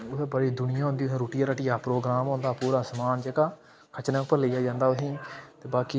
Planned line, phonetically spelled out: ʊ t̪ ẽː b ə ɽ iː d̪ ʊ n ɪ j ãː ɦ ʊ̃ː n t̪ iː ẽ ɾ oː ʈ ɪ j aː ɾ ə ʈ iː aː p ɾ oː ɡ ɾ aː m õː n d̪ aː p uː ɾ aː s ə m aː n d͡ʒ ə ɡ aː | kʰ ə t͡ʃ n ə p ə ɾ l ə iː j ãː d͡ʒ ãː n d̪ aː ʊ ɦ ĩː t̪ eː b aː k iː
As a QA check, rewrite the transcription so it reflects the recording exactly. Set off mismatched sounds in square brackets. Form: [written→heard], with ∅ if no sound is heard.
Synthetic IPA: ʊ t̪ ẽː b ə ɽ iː d̪ ʊ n ɪ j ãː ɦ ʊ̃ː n [t̪→d̪] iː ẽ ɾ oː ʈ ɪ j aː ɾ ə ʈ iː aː p ɾ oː ɡ ɾ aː m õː n d̪ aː p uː ɾ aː s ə m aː n d͡ʒ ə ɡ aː | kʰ ə t͡ʃ n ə p ə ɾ l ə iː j [ãː→aː] d͡ʒ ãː n d̪ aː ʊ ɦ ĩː t̪ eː b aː k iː